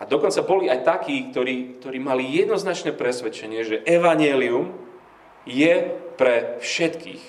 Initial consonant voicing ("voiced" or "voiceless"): voiced